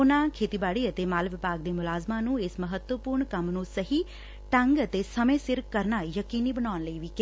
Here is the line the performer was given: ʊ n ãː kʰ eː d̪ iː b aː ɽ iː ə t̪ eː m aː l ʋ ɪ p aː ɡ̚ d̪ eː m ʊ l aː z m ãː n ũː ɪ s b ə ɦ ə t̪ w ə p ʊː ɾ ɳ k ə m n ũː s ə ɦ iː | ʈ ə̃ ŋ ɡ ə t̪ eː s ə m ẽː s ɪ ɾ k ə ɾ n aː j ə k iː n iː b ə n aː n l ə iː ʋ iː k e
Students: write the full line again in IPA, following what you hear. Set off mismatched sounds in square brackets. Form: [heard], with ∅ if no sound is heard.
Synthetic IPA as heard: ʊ n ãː kʰ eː [t̪] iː b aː ɽ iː ə t̪ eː m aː l ʋ ɪ p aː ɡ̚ d̪ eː m ʊ l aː z m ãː n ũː ɪ s [m] ə ɦ ə t̪ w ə p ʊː ɾ ɳ k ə m n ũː s ə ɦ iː | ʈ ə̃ ŋ ɡ ə t̪ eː s ə m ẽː s ɪ ɾ k ə ɾ n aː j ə k iː n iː b ə n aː n l ə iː ʋ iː k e